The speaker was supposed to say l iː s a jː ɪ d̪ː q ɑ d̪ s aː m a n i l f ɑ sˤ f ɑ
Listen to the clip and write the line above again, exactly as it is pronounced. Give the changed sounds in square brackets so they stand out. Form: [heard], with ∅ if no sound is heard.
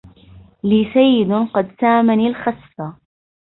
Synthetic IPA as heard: l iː s a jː ɪ [d̪] q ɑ d̪ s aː m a n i l [x] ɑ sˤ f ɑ